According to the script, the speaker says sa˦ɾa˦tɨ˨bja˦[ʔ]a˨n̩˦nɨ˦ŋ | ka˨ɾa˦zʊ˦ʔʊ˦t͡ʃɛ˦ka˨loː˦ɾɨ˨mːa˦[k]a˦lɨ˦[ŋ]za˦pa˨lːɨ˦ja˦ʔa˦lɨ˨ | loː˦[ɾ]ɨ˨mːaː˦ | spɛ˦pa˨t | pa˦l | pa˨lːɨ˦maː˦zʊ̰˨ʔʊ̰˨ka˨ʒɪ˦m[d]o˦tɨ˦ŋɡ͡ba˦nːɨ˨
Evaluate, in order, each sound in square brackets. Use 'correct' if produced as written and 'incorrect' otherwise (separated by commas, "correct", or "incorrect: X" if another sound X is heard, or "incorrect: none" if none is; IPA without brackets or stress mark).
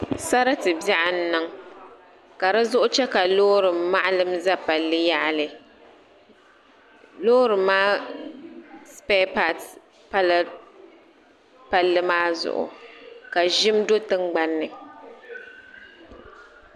correct, incorrect: ʔ, incorrect: m, correct, correct